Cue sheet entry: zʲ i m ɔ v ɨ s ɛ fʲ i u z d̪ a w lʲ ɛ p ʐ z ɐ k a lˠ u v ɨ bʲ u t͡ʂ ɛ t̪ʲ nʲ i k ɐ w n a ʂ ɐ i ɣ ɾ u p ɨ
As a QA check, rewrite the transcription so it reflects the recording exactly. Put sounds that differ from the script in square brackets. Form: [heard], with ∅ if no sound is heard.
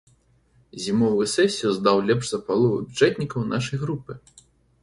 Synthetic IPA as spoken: zʲ i m ɔ v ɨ s ɛ [sʲ] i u z d̪ a w lʲ ɛ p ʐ z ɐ [p] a lˠ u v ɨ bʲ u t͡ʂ ɛ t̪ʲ nʲ i k ɐ w n a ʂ ɐ [j] ɣ ɾ u p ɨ